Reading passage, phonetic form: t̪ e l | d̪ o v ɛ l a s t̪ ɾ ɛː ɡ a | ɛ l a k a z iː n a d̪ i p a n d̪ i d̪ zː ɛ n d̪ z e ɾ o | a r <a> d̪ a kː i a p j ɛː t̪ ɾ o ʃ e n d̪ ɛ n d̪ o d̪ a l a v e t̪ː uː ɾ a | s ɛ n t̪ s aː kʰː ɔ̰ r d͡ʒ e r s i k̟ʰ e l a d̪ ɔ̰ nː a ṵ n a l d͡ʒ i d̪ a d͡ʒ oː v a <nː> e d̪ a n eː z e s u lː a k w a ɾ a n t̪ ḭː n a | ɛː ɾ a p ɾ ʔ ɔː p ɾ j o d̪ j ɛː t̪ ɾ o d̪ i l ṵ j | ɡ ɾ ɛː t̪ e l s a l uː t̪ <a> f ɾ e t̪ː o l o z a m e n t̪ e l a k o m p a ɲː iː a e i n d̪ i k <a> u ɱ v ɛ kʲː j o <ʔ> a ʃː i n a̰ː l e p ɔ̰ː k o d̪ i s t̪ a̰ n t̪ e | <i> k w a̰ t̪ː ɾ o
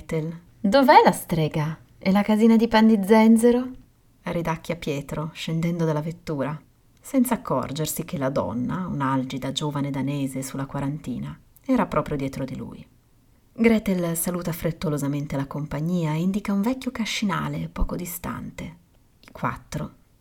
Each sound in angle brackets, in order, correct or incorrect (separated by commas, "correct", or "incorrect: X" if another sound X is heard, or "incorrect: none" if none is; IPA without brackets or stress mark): incorrect: i, incorrect: n, correct, correct, incorrect: k, correct